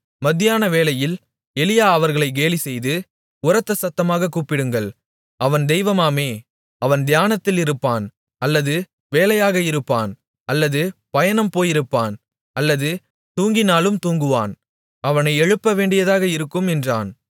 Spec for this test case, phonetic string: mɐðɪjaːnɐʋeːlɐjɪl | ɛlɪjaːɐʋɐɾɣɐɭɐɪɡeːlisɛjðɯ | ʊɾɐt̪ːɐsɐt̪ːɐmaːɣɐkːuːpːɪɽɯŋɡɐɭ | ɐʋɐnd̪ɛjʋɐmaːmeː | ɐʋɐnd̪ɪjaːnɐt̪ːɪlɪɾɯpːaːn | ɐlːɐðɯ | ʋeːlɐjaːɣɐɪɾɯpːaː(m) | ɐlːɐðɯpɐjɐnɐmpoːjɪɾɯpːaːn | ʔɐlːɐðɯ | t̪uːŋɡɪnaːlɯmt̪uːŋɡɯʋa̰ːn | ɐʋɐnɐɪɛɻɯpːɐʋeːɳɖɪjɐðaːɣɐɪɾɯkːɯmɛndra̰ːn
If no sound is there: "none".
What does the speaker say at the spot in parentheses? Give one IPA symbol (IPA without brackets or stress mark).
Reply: n